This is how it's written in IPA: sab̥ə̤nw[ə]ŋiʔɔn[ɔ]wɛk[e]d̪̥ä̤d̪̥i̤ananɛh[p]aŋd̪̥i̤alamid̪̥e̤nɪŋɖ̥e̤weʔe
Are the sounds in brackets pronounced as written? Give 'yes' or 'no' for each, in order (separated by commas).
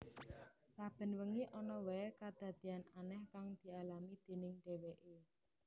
yes, yes, no, no